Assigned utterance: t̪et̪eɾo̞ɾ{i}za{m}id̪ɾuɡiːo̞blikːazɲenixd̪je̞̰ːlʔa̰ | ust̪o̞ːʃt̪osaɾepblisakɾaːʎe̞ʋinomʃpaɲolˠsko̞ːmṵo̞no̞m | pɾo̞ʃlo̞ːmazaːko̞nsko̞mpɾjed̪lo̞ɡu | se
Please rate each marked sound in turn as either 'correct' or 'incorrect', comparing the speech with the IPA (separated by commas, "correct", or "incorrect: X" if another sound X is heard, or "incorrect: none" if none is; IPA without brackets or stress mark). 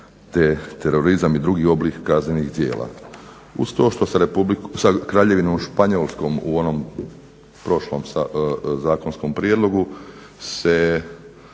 correct, correct